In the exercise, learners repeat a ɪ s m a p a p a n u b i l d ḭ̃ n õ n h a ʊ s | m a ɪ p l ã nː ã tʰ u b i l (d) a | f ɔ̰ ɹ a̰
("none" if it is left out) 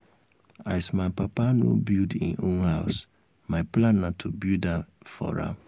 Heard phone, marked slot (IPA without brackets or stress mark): d